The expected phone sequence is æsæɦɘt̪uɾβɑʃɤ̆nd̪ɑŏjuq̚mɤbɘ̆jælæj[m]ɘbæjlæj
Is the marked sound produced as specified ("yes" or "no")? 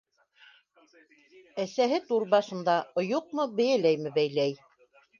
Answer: yes